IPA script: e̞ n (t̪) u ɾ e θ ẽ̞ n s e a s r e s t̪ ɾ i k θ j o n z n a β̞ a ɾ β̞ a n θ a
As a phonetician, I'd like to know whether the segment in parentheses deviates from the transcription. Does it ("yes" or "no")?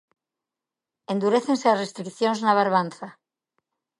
yes